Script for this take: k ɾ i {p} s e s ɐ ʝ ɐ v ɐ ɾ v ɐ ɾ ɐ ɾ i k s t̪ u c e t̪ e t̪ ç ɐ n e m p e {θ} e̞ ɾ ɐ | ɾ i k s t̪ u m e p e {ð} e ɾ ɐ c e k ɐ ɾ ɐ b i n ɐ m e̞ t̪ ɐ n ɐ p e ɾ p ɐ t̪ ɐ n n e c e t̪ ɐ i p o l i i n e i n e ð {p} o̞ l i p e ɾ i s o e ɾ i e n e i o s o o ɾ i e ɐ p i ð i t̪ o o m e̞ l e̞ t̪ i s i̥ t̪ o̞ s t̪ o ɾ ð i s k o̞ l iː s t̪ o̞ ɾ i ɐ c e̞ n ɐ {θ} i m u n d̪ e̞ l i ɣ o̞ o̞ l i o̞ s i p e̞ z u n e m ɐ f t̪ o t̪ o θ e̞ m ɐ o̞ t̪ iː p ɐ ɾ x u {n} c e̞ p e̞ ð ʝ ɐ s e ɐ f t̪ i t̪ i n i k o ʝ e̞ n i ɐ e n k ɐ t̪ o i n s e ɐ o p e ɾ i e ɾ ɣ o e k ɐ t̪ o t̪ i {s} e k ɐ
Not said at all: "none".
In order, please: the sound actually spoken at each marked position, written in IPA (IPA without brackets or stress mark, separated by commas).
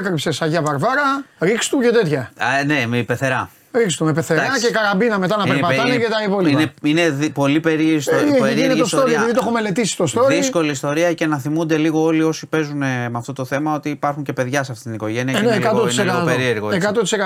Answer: p, θ, θ, p, θ, ɲ, s